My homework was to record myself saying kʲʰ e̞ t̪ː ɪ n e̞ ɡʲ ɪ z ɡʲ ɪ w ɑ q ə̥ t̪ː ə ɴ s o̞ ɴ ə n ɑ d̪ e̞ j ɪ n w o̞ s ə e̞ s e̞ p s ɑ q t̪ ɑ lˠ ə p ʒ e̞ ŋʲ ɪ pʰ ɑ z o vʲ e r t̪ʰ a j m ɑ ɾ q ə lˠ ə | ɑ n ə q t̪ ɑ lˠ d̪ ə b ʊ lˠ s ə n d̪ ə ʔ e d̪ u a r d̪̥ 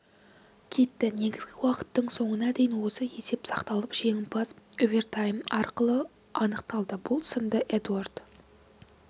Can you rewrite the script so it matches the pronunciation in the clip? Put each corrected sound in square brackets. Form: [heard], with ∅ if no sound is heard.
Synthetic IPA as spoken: kʲʰ e̞ t̪ː ɪ n e̞ ɡʲ ɪ z ɡʲ ɪ w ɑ q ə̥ t̪ː ə ɴ s o̞ ɴ ə n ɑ d̪ e̞ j ɪ n w o̞ s ə e̞ s e̞ p s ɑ q t̪ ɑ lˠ ə p ʒ e̞ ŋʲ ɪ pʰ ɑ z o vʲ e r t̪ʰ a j m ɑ ɾ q ə lˠ ə | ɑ n ə q t̪ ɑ lˠ d̪ ə b ʊ lˠ s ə n d̪ ə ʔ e d̪ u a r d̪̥